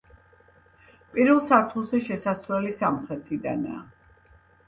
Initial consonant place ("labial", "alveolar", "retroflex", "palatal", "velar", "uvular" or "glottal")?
labial